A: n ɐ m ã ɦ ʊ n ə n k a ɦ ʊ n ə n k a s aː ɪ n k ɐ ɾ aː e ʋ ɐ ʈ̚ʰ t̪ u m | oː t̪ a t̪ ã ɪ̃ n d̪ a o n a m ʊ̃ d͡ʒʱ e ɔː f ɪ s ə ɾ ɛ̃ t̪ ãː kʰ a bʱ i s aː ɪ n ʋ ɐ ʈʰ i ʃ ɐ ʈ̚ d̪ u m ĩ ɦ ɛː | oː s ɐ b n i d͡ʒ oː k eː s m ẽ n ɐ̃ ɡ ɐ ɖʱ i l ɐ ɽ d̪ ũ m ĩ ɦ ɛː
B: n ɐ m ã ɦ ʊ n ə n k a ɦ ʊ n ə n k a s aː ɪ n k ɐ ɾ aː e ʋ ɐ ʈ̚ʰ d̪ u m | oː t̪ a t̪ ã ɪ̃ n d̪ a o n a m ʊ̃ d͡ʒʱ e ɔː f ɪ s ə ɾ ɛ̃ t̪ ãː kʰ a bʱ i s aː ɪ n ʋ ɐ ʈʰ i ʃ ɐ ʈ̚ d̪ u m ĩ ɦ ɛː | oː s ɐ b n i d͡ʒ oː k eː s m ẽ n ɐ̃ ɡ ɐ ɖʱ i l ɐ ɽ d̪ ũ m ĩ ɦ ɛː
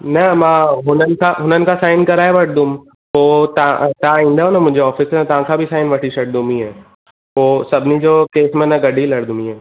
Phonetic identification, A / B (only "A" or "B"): B